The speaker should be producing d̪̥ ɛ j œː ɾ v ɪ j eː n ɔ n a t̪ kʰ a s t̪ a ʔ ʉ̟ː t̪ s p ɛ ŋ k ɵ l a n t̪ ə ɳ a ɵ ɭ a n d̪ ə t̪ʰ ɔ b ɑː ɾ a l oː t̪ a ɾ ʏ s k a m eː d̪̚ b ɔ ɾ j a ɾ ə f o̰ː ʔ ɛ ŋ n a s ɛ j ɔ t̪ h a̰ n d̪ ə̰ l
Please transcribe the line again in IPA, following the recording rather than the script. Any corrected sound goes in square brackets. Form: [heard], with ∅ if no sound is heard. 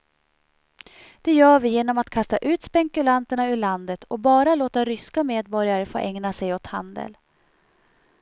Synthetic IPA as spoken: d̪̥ ɛ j œː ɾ v ɪ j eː n ɔ [m] a t̪ kʰ a s t̪ a ʔ ʉ̟ː t̪ s p ɛ ŋ k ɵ l a n t̪ ə ɳ a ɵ ɭ a n d̪ ə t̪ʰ ɔ b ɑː ɾ a l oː t̪ a ɾ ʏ s k a m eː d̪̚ b ɔ ɾ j a ɾ ə f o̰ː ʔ ɛ ŋ n a s ɛ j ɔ t̪ h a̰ n d̪ ə̰ l